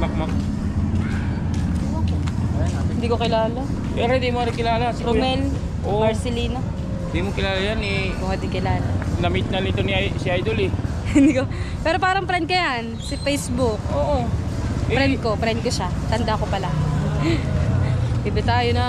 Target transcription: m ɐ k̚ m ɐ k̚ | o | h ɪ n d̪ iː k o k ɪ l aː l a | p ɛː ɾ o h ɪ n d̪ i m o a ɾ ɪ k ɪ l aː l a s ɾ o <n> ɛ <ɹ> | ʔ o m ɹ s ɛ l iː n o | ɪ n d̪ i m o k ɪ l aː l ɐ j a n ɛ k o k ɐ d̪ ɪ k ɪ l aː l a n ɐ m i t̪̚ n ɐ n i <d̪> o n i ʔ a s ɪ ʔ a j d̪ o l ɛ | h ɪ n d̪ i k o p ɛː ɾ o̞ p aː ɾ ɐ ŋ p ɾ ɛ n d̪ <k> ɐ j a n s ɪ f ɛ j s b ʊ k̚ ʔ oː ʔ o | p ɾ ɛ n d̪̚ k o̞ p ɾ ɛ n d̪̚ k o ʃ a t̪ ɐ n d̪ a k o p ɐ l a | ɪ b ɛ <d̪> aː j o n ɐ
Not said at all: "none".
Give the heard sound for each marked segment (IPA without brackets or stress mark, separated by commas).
m, l, t̪, k, t̪